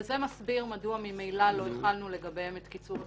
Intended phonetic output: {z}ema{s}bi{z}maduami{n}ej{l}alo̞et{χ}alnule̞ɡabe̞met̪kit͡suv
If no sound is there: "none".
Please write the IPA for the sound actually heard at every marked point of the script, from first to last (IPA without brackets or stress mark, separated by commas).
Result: z, s, ʁ, m, l, χ